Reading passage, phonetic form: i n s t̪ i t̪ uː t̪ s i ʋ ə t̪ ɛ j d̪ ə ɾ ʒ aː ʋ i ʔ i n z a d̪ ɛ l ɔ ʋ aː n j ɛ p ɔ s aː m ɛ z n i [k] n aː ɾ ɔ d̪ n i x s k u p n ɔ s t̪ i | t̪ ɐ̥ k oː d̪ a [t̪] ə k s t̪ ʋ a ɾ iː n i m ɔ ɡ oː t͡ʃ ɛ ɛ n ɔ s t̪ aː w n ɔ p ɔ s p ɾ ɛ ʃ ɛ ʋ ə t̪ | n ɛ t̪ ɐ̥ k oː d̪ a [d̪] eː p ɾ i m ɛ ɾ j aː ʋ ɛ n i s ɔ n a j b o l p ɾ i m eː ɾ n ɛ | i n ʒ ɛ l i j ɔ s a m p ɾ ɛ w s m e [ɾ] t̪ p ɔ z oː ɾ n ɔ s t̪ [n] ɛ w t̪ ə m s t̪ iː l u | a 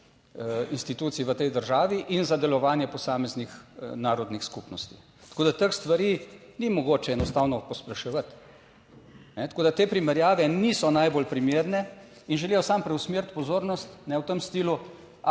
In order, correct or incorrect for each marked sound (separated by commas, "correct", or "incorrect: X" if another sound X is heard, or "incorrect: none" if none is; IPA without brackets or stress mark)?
incorrect: x, correct, incorrect: t̪, correct, correct